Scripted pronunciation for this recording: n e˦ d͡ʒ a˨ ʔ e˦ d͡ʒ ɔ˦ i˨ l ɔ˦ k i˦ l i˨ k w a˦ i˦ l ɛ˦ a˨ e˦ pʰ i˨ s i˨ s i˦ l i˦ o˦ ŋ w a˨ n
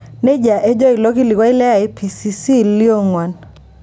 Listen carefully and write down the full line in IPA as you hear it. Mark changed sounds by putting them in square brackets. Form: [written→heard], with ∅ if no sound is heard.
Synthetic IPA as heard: n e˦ d͡ʒ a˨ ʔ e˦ d͡ʒ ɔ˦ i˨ l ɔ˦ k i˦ l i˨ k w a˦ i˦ l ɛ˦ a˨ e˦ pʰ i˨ s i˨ s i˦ l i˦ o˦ ŋ w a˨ n